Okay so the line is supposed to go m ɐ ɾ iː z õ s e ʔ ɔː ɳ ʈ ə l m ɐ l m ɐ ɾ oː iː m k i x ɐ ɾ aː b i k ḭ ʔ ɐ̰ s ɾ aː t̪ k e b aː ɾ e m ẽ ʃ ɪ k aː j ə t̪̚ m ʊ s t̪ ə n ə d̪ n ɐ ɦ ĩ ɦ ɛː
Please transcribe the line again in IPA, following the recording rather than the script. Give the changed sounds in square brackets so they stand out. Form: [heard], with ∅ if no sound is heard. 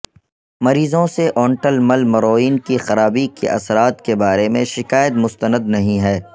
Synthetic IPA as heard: m ɐ ɾ iː z õ s e ʔ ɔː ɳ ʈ ə l m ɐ l m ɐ ɾ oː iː [n] k i x ɐ ɾ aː b i k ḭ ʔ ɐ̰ s ɾ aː t̪ k e b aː ɾ e m ẽ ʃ ɪ k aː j ə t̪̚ m ʊ s t̪ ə n ə d̪ n ɐ ɦ ĩ ɦ ɛː